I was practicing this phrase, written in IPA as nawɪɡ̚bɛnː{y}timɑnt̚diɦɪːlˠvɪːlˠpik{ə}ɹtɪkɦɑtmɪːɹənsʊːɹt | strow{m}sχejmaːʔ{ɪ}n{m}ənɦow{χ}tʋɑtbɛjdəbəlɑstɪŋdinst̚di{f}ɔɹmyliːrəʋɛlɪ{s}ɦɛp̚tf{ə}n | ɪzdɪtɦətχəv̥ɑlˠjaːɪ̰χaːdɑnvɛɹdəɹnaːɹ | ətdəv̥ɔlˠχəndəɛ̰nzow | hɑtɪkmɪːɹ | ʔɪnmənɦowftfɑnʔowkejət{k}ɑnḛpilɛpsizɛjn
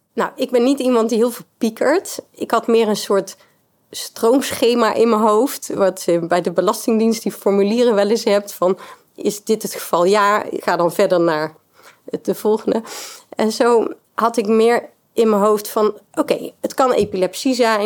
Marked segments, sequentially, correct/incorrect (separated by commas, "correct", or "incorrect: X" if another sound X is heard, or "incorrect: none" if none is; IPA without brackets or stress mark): incorrect: i, correct, correct, correct, correct, incorrect: f, correct, correct, incorrect: ɑ, correct